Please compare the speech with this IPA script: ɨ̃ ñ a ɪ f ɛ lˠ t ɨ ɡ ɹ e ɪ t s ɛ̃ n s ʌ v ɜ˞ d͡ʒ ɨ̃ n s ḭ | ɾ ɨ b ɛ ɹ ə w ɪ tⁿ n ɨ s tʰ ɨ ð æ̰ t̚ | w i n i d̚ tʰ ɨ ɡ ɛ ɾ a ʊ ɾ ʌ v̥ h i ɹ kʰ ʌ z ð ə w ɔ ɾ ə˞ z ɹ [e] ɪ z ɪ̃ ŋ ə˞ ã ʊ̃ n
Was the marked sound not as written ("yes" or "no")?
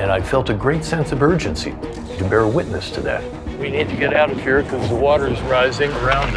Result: yes